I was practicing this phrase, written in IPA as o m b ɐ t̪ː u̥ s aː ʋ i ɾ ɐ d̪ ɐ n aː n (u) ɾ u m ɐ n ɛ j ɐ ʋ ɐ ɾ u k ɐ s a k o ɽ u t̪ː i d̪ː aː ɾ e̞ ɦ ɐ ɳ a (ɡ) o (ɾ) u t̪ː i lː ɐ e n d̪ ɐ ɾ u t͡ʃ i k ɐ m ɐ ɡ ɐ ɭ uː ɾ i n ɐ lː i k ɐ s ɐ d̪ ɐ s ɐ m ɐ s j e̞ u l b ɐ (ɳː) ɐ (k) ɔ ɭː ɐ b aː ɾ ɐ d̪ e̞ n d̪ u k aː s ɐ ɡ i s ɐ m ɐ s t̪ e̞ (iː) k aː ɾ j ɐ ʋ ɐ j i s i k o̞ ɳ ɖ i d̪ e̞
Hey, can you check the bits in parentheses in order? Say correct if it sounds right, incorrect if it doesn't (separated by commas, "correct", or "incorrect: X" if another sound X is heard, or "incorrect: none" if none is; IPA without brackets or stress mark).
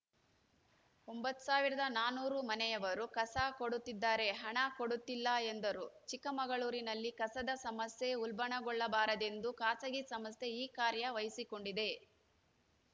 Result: incorrect: uː, incorrect: k, incorrect: ɽ, incorrect: ɳ, incorrect: ɡ, correct